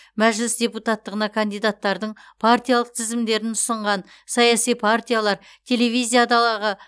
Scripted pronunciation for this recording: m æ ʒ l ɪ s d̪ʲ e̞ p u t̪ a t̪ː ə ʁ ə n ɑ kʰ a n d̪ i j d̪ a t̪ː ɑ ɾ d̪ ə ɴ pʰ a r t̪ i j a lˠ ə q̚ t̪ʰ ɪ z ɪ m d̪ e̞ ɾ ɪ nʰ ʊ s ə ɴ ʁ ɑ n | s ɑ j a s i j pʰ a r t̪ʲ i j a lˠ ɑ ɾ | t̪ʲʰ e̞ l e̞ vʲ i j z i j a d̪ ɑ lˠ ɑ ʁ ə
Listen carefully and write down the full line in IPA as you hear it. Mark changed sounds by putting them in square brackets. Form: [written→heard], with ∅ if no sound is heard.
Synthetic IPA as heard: m æ ʒ l ɪ s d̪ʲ e̞ p u t̪ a t̪ː ə ʁ ə n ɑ kʰ a n d̪ i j d̪ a t̪ː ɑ ɾ d̪ ə ɴ pʰ a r t̪ i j a lˠ ə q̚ t̪ʰ ɪ z ɪ m d̪ e̞ ɾ ɪ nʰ ʊ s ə ɴ ʁ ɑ n | s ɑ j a s i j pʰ a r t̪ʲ i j a lˠ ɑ ɾ | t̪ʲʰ e̞ l e̞ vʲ i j z i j a d̪ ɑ lˠ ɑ ʁ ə

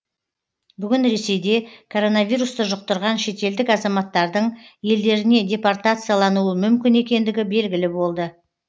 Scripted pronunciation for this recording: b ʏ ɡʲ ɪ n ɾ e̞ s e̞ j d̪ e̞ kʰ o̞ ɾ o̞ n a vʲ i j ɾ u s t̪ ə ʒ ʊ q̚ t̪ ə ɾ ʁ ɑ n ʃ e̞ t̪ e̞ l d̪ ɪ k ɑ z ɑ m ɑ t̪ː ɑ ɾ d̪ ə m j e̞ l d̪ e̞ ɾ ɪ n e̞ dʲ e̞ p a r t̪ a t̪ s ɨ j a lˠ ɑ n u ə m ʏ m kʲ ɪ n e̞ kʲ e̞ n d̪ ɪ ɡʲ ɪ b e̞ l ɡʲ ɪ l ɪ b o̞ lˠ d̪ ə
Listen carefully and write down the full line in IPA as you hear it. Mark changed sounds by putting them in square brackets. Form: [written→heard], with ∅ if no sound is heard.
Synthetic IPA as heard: b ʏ ɡʲ ɪ n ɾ e̞ s e̞ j d̪ e̞ kʰ o̞ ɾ o̞ n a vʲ i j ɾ u s t̪ ə ʒ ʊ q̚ t̪ ə ɾ ʁ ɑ n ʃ e̞ t̪ e̞ l d̪ ɪ k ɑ z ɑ m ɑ t̪ː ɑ ɾ d̪ ə [m→ɴ] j e̞ l d̪ e̞ ɾ ɪ n e̞ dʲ e̞ p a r t̪ a t̪ s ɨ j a lˠ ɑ n u ə m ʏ m kʲ ɪ n e̞ kʲ e̞ n d̪ ɪ ɡʲ ɪ b e̞ l ɡʲ ɪ l ɪ b o̞ lˠ d̪ ə

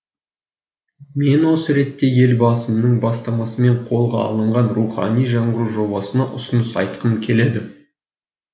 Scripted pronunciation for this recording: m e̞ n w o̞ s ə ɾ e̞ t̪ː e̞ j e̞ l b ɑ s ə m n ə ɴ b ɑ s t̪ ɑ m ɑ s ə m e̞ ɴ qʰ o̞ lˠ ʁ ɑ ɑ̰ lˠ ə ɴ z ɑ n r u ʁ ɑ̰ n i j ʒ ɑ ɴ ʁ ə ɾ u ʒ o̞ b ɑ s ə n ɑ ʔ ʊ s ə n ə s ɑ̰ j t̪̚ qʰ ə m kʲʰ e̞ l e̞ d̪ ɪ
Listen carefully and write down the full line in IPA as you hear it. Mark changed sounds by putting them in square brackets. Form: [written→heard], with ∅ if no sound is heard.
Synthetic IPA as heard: m e̞ n w o̞ s ə ɾ e̞ t̪ː e̞ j e̞ l b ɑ s ə m n ə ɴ b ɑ s t̪ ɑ m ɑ s ə m e̞ ɴ qʰ o̞ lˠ ʁ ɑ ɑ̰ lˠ ə ɴ [z→ʁ] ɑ n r u [ʁ→χ] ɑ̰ n i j ʒ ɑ ɴ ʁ ə ɾ u ʒ o̞ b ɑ s ə n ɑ ʔ ʊ s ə n ə s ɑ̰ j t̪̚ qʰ ə m kʲʰ e̞ l e̞ d̪ ɪ

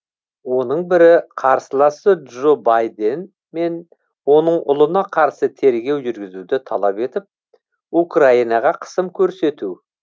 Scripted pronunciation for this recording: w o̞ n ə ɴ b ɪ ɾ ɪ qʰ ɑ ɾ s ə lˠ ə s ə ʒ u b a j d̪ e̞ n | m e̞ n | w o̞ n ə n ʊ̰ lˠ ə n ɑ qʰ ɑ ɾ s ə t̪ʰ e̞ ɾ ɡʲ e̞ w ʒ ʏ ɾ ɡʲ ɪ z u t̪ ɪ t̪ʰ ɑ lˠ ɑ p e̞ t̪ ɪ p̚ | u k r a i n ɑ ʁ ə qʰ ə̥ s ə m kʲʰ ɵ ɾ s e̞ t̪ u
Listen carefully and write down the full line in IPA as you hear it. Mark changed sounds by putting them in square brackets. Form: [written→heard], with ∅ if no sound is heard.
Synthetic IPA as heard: w o̞ n ə ɴ b ɪ ɾ ɪ qʰ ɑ ɾ s ə lˠ [ə→ɑ] s ə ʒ [u→o] b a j d̪ e̞ n | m e̞ n | w o̞ n ə [n→ɴ] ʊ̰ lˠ ə n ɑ qʰ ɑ ɾ s ə t̪ʰ e̞ ɾ ɡʲ e̞ w ʒ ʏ ɾ ɡʲ ɪ z u [t̪→d̪] ɪ t̪ʰ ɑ lˠ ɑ p e̞ t̪ ɪ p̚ | u k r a i n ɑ ʁ [ə→ɑ] qʰ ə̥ s ə m kʲʰ ɵ ɾ s e̞ t̪ u

